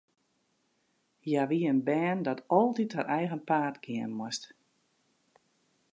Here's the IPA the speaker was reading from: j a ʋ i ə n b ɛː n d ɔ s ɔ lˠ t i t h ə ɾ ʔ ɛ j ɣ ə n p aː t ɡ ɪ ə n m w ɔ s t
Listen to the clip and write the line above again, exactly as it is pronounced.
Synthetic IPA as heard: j a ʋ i ə n b ɛː n d ɔ t ɔ lˠ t i t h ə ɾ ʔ ɛ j ɣ ə n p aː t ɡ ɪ ə n m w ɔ s t